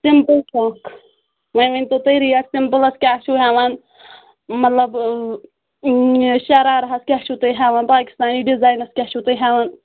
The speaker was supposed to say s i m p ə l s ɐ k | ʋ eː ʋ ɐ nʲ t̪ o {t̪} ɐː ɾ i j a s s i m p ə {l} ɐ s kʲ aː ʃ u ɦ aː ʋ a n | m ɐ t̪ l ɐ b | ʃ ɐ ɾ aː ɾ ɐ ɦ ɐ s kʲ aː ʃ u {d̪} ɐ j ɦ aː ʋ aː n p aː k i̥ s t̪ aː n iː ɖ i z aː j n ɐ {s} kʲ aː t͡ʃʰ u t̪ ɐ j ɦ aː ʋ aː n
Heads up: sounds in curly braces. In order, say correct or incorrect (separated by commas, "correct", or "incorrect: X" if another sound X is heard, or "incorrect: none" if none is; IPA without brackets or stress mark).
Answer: correct, correct, incorrect: t̪, correct